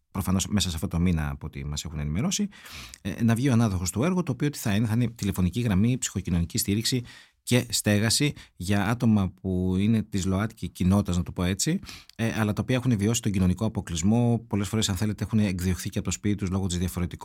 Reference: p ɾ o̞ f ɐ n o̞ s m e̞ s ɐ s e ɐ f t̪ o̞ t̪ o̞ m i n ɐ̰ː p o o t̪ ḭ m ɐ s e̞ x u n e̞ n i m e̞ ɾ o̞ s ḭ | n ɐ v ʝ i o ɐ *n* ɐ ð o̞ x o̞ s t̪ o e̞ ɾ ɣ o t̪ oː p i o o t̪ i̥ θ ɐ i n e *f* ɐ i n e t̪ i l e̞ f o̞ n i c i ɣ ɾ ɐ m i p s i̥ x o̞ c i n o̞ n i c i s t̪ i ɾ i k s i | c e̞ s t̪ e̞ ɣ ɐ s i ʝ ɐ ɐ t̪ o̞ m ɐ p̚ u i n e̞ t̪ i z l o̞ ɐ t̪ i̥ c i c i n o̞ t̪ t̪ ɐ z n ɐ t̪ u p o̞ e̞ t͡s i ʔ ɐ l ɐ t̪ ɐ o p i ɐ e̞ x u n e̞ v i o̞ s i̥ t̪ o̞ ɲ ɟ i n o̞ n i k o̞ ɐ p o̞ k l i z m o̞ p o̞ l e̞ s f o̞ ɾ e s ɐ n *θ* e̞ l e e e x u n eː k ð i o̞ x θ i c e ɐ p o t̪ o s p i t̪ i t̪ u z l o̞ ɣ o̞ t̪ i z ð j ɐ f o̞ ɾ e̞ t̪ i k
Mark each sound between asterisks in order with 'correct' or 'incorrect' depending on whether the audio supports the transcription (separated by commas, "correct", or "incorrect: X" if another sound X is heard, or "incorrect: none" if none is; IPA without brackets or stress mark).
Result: correct, incorrect: θ, correct